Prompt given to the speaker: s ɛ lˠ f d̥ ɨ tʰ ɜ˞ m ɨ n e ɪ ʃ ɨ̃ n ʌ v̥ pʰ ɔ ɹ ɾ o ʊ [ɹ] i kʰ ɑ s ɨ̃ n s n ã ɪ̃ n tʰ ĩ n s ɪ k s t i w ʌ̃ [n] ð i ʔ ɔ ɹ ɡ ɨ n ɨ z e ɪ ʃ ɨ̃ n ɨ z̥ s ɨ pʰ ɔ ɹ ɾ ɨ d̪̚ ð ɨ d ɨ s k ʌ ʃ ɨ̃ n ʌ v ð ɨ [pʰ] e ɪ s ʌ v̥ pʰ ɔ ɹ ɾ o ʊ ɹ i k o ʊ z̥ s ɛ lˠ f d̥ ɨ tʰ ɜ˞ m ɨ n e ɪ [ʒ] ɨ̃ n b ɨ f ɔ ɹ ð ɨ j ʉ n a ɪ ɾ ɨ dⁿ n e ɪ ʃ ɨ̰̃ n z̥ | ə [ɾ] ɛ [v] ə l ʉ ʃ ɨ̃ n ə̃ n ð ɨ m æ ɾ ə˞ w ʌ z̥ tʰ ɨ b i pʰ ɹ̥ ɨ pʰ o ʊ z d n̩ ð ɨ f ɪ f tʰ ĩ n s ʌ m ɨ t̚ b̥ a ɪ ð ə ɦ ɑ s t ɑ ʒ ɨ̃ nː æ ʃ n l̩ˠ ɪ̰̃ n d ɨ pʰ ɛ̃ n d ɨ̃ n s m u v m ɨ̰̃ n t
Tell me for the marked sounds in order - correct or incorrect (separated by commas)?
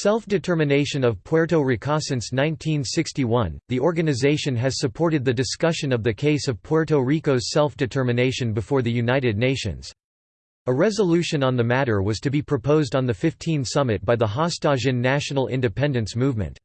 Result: correct, correct, incorrect, incorrect, incorrect, incorrect